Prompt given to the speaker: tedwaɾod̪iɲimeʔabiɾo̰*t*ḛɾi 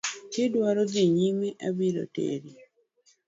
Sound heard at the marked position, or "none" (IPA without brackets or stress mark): t